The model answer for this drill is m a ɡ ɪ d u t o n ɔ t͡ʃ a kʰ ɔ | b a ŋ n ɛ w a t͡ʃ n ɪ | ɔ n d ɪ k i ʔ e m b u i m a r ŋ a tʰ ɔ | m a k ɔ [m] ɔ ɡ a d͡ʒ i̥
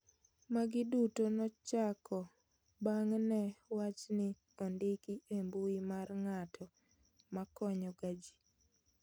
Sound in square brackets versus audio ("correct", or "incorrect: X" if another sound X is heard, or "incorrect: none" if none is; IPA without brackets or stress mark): incorrect: ɲ